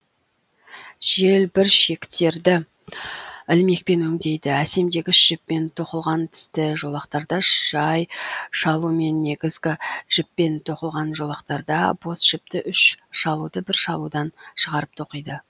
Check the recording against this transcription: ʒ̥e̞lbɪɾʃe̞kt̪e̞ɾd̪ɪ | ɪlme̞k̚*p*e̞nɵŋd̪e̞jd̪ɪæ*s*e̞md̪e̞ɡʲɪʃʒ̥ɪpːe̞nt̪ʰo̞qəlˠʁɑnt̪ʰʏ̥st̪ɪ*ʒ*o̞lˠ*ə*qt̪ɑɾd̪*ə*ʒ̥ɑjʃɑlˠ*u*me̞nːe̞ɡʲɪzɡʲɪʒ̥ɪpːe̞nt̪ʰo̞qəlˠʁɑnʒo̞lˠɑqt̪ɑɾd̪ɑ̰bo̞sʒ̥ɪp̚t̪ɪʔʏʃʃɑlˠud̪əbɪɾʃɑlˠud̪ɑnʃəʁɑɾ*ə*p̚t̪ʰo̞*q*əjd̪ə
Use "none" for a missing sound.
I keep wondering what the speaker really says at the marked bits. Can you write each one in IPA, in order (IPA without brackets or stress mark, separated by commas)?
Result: p, s, ʒ, ɑ, ɑ, u, ə, q